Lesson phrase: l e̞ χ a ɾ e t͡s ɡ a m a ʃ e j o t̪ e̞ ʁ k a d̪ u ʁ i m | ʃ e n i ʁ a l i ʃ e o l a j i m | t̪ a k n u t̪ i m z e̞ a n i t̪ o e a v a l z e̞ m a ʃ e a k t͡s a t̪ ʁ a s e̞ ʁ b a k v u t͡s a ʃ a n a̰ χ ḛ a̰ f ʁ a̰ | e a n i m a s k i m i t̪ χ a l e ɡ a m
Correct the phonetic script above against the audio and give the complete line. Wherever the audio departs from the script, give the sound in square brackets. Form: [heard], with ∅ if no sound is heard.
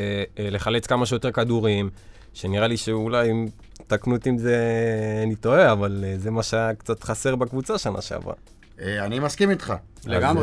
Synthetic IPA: l e̞ χ a [l] e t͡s [k] a m a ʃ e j o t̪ e̞ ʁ k a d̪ u ʁ i m | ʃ e n i ʁ a l i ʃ e [u] l a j i m | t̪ a k n u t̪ i m z e̞ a n i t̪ o e a v a l z e̞ m a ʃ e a k t͡s a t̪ [χ] a s e̞ ʁ b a k v u t͡s a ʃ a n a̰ [ʃ] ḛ a̰ [v] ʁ a̰ | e a n i m a s k i m i t̪ χ a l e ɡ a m